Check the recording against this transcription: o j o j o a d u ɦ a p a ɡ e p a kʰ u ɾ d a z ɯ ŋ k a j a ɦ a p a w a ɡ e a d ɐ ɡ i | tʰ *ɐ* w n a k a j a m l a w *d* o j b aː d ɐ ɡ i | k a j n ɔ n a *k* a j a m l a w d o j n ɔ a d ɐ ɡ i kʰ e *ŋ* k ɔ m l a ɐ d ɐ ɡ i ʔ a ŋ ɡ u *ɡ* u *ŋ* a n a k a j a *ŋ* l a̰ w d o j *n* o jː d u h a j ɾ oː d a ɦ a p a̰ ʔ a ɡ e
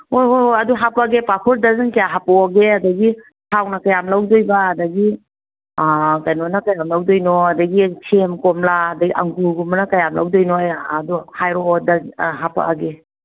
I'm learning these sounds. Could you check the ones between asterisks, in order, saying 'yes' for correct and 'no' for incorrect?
no, yes, yes, no, yes, no, no, yes

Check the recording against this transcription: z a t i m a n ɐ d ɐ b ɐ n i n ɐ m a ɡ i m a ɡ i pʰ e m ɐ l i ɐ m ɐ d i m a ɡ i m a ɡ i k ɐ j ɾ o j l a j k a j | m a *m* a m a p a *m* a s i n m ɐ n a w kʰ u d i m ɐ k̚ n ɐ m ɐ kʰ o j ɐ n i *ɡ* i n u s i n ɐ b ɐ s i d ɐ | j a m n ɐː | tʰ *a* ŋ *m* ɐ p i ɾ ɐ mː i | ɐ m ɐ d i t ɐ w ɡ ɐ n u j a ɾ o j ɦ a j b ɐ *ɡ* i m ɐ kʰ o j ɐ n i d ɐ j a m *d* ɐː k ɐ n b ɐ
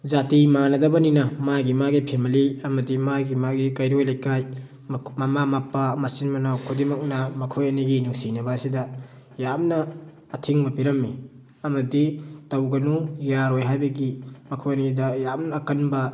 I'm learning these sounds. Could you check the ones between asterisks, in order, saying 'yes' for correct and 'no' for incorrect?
yes, yes, yes, no, yes, yes, no

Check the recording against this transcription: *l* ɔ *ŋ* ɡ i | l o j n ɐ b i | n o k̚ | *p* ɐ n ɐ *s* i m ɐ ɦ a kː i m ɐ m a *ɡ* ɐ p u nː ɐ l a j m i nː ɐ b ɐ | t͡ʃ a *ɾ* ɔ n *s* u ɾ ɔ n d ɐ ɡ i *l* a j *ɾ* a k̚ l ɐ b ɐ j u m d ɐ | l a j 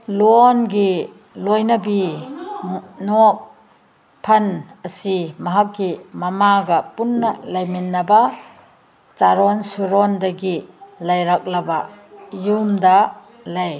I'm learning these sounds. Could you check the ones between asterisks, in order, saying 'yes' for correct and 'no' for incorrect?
yes, no, no, yes, yes, yes, yes, yes, yes

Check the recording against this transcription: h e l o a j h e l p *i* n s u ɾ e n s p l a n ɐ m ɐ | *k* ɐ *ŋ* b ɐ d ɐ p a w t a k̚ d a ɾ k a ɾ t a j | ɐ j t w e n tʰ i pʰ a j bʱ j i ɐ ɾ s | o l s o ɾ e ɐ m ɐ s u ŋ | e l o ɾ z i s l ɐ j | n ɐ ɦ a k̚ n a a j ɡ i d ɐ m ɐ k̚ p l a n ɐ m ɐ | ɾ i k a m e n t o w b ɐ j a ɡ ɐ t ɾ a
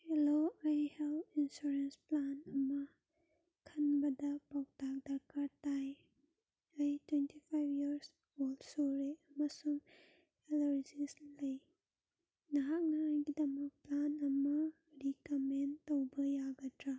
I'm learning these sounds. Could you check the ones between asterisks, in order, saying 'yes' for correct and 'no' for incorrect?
yes, no, no

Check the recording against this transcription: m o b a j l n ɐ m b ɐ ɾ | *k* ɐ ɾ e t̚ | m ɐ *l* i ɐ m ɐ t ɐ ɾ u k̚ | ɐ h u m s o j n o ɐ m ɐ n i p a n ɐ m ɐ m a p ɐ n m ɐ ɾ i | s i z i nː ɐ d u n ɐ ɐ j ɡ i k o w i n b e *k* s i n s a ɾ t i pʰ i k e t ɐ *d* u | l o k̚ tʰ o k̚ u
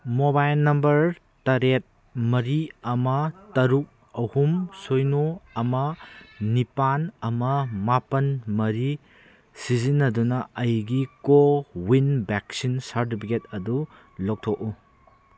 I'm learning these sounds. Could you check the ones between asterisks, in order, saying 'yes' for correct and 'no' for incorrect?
no, no, yes, yes

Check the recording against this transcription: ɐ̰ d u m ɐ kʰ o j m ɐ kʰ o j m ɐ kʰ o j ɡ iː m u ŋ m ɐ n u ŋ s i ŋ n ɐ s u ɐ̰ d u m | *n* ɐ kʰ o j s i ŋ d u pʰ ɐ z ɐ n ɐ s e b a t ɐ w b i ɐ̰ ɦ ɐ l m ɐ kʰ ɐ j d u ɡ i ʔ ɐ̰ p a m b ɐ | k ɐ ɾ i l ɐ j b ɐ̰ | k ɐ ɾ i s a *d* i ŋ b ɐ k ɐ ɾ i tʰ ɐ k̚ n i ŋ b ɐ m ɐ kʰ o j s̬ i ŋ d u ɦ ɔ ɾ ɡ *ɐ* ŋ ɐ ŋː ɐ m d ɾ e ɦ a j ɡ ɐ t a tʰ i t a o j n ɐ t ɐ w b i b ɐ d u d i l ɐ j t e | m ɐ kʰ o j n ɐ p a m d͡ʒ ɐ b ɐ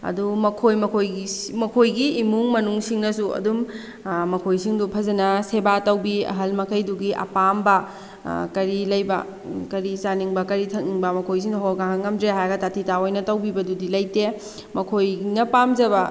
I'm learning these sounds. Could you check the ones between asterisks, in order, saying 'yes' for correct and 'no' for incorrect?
no, no, no

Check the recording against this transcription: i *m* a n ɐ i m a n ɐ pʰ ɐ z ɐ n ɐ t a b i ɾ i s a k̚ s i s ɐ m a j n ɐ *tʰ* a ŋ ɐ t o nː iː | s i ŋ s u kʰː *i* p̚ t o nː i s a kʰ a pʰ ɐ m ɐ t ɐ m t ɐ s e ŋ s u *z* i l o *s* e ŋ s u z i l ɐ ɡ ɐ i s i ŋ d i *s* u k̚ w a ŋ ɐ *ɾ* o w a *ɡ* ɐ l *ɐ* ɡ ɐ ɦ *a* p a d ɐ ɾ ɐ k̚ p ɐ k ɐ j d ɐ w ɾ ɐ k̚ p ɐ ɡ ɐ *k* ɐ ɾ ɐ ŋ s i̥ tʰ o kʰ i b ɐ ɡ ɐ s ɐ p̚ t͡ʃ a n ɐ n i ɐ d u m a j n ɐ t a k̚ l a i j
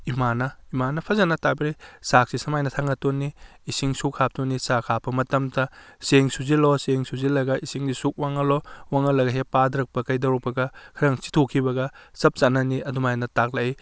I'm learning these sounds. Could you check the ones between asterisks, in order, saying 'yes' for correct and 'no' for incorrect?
yes, yes, no, yes, yes, yes, no, no, yes, no, no

